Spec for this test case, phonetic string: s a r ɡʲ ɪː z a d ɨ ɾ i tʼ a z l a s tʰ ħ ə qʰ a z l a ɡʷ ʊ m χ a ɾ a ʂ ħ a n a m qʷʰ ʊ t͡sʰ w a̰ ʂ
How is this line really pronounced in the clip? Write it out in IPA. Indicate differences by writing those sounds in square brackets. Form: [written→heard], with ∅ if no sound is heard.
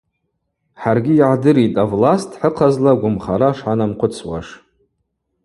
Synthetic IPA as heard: [s→ħ] a r ɡʲ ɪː [z→ʕ] a d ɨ ɾ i tʼ a [z→v] l a s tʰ ħ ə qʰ a z l a ɡʷ ʊ m χ a ɾ a ʂ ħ a n a m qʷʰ ʊ t͡sʰ w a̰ ʂ